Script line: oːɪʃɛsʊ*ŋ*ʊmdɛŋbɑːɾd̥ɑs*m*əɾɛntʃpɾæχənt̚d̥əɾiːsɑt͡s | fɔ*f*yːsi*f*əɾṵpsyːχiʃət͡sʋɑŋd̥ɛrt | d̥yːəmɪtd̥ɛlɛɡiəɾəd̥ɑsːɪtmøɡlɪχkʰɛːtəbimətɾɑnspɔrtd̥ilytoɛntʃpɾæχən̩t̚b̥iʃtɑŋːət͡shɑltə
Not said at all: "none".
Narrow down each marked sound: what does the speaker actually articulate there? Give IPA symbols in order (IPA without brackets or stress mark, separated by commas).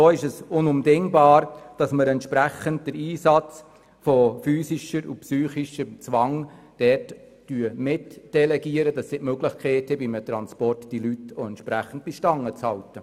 n, m, f, ʃ